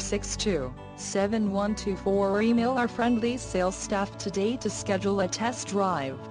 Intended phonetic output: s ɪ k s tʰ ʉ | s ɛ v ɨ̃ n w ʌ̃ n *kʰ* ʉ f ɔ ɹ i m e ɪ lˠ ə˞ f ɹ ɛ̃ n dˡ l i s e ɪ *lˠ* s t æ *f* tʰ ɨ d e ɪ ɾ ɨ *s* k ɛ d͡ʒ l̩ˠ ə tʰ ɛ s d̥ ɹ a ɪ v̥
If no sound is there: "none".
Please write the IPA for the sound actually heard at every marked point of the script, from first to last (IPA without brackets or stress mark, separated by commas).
tʰ, lˠ, f, s